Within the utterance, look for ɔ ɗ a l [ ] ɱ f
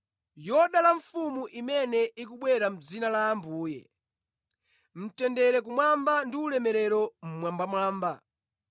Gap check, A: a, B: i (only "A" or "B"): A